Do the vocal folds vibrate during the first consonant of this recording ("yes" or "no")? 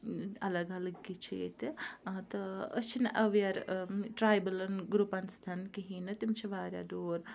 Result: yes